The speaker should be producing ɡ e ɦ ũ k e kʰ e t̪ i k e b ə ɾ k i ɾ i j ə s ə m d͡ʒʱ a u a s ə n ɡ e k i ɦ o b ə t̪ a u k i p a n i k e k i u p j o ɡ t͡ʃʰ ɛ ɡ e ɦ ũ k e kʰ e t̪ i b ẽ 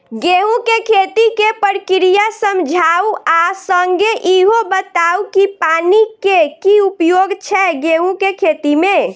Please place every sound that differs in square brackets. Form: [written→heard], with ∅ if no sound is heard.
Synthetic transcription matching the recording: ɡ e ɦ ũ k e kʰ e t̪ i k e [b→p] ə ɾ k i ɾ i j [ə→a] s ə m d͡ʒʱ a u a s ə [n→ŋ] ɡ e [k→ʔ] i ɦ o b ə t̪ a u k i p a n i k e k i u p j o ɡ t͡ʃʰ ɛ ɡ e ɦ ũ k e kʰ e t̪ i [b→m] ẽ